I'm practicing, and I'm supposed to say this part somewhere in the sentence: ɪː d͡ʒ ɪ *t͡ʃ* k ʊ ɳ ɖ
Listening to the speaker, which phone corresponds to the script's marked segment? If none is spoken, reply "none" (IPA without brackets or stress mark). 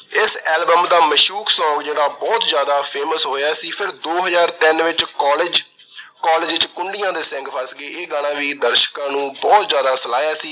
t͡ʃ